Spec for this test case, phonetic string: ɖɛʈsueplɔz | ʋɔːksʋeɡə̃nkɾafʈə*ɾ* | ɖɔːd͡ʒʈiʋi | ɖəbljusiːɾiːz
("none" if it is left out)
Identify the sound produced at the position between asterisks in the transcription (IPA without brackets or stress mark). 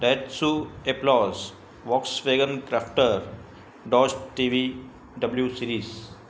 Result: ɾ